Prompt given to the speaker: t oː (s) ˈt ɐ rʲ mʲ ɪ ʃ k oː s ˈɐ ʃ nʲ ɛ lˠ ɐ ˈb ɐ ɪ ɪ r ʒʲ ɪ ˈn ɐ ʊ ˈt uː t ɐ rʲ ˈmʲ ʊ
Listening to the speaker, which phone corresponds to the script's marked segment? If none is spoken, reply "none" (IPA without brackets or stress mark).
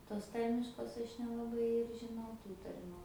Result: s